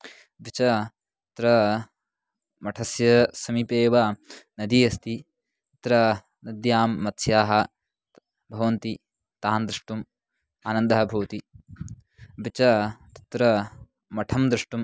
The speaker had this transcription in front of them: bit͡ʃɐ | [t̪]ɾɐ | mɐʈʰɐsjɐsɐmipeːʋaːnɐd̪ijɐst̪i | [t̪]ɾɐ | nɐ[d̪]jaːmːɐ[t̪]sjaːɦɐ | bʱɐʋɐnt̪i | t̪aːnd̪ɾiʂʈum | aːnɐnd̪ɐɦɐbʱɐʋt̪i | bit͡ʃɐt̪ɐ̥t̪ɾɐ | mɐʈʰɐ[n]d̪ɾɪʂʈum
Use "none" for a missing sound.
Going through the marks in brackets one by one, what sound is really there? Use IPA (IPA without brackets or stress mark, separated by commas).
t̪, t̪, d̪, t̪, m